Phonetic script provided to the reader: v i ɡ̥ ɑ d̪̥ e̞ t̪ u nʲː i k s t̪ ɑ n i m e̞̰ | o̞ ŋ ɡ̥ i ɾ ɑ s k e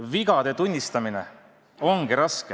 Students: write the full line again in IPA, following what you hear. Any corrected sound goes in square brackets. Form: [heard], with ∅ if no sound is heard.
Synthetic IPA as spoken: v i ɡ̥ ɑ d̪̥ e̞ t̪ u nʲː i [∅] s t̪ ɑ [m] i [n] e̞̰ | o̞ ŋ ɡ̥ i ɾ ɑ s k e